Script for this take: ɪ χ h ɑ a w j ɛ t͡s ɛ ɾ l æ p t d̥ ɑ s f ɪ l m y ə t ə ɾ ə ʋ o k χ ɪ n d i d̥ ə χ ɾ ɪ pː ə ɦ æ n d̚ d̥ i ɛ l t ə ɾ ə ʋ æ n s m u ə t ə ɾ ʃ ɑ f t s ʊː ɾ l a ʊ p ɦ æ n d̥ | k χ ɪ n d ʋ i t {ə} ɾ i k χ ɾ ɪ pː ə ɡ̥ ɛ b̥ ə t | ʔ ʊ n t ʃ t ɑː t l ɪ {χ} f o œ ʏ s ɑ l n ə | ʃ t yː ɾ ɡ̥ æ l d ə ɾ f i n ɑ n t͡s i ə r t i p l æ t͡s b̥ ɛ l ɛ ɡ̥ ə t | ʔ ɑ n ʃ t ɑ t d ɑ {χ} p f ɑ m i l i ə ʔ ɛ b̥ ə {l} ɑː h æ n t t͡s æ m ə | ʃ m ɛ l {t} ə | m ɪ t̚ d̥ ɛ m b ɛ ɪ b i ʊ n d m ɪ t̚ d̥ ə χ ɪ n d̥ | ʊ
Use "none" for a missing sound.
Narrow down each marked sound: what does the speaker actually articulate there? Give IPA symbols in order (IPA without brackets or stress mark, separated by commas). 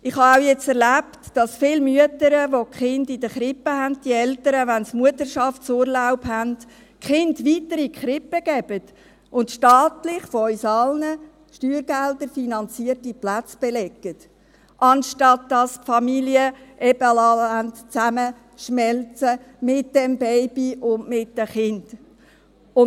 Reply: ə, χ, s, l, t͡s